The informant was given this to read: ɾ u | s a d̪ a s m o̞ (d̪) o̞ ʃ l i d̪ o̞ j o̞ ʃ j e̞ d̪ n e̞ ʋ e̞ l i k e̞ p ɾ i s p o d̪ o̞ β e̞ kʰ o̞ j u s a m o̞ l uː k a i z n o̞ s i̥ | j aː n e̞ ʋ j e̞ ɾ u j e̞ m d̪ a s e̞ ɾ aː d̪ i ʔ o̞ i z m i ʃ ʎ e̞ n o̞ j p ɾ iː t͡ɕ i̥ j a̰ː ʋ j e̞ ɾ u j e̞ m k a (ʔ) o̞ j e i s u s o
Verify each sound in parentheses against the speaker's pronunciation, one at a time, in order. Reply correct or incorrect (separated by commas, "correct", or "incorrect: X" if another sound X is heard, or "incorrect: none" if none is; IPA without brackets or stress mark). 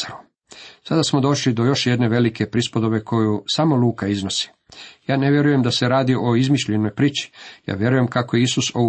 correct, incorrect: k